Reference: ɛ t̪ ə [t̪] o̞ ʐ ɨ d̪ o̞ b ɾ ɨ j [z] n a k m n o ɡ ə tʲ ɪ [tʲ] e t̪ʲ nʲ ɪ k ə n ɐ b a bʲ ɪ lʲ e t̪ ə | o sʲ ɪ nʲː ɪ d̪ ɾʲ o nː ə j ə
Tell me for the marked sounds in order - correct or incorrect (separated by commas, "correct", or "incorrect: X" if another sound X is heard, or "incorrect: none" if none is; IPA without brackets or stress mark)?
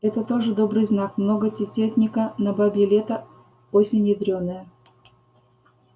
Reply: correct, correct, correct